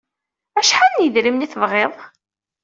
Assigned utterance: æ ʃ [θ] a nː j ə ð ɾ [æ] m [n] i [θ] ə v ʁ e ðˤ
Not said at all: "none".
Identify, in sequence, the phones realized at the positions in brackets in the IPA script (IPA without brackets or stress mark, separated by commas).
ħ, i, n, θ